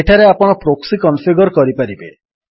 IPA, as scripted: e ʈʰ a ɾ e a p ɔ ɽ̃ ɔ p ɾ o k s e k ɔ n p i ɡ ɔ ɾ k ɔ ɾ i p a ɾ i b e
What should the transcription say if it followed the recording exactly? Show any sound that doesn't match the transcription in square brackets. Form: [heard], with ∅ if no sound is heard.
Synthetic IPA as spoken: e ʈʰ a ɾ e a p ɔ ɽ̃ ɔ p ɾ o k s [i] k ɔ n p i ɡ ɔ ɾ k ɔ ɾ i p a ɾ i b e